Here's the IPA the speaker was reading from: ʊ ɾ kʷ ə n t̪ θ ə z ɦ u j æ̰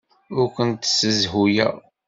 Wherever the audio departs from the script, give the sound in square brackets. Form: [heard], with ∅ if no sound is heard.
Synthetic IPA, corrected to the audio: ʊ ɾ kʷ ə n t̪ [s] ə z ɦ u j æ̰